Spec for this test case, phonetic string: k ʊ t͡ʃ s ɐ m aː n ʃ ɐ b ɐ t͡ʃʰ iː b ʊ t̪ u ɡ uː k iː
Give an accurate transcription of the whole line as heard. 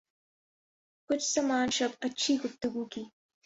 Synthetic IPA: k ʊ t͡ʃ s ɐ m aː n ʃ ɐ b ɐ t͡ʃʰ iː ɡ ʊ t̪ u ɡ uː k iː